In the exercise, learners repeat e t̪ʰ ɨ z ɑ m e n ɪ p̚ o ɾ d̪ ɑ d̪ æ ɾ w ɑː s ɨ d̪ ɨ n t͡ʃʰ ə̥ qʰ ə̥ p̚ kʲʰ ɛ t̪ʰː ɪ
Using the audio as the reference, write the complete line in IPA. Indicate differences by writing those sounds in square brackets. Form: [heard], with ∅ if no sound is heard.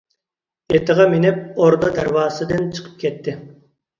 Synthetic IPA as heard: e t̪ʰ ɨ [ʁ] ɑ m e n ɪ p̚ o ɾ d̪ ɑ d̪ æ ɾ w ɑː s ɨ d̪ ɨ n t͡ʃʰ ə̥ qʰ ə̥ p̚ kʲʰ ɛ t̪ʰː ɪ